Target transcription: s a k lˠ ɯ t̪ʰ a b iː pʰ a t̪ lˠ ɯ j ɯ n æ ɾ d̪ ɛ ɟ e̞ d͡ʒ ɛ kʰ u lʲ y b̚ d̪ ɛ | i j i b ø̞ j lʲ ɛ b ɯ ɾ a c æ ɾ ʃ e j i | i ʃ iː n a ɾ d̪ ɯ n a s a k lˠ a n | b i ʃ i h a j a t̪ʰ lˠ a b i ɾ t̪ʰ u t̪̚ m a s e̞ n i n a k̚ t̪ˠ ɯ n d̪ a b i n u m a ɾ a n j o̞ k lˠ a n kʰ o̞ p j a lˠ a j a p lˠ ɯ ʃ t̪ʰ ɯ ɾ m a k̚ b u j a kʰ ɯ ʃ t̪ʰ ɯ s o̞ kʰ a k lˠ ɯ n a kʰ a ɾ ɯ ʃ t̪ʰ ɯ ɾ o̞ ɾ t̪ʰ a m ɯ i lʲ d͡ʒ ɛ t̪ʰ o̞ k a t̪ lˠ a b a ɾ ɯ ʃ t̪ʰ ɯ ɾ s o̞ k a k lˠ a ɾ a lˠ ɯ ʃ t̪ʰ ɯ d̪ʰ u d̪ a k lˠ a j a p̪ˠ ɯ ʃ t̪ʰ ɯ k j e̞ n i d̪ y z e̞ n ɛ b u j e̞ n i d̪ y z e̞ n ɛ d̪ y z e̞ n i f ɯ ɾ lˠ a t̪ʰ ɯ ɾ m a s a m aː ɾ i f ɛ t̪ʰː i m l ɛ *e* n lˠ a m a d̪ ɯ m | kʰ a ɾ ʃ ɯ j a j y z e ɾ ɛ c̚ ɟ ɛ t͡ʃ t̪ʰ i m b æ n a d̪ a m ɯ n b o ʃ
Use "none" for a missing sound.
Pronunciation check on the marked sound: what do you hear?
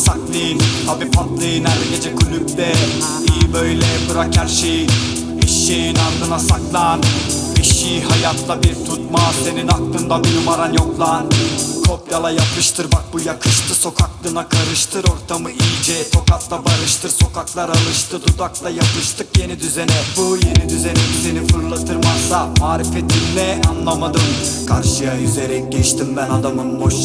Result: a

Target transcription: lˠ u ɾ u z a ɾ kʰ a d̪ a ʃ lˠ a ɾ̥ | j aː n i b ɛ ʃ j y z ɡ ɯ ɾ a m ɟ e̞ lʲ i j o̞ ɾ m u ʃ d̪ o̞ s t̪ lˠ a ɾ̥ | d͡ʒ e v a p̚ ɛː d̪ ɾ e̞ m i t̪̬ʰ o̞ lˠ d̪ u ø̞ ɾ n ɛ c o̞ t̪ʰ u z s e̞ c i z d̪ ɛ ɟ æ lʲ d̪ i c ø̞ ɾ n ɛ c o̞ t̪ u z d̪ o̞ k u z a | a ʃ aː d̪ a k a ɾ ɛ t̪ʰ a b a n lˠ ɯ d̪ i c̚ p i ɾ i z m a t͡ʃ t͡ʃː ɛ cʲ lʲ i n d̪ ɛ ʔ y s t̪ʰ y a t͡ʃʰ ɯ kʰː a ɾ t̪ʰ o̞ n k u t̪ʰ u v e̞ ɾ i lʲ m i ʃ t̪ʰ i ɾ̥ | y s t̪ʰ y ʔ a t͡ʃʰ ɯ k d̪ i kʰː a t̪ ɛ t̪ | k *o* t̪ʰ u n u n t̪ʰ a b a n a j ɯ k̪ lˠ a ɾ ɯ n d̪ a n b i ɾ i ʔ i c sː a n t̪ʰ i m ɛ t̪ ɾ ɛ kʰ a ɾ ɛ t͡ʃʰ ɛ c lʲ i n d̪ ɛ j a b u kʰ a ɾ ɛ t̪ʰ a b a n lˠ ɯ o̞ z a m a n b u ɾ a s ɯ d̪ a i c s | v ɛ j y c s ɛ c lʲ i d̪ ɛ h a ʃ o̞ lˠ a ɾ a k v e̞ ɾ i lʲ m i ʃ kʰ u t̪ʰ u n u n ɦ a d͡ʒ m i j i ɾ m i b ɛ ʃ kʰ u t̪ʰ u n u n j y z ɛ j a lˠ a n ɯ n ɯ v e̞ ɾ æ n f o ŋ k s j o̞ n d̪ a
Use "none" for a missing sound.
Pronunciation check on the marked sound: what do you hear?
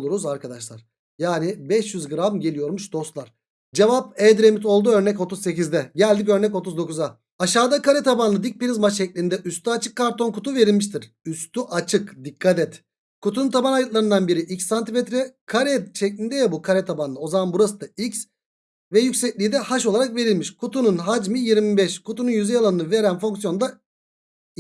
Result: u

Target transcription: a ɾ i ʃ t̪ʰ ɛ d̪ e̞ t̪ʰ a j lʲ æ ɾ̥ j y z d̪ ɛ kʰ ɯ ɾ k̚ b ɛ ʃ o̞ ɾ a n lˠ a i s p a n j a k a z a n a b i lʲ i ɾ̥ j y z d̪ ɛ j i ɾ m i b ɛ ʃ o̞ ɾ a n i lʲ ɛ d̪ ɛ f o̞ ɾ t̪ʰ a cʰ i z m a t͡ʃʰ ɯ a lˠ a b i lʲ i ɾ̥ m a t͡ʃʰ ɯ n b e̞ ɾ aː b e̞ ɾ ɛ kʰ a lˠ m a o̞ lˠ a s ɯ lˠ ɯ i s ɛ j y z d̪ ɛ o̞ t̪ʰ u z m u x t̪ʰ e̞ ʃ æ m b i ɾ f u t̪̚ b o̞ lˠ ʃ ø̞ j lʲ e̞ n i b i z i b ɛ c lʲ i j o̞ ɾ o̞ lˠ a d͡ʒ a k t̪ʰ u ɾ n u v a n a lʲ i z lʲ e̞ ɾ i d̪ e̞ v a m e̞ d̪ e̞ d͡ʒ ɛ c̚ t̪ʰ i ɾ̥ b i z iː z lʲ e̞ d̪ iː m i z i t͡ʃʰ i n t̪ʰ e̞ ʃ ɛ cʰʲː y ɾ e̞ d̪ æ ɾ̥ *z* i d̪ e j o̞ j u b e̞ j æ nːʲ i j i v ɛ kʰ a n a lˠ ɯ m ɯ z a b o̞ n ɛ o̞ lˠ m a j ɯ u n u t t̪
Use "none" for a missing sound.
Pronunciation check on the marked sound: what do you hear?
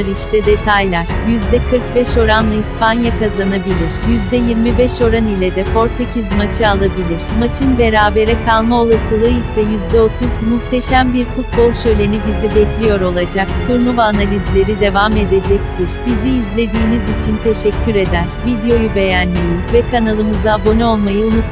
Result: v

